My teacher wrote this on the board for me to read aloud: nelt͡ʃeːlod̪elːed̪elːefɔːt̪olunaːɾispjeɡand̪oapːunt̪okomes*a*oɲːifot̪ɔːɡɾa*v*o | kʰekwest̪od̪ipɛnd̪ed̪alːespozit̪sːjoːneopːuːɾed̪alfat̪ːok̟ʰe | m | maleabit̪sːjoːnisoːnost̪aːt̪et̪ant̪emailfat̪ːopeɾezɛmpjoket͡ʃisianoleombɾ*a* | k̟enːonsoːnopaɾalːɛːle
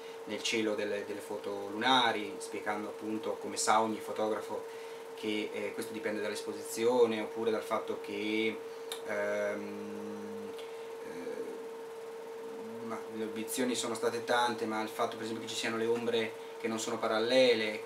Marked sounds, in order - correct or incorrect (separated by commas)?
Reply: correct, incorrect, incorrect